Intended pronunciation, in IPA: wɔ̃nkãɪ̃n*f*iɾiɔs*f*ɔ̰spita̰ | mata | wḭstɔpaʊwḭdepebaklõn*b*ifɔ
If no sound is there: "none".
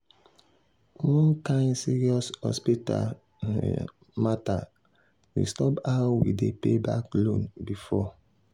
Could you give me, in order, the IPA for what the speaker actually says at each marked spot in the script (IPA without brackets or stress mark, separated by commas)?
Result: s, h, b